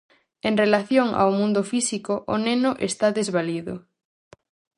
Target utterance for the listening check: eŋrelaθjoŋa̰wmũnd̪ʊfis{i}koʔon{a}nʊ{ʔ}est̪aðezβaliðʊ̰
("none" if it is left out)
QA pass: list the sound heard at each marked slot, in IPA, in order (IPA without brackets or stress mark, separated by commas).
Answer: i, e, ʔ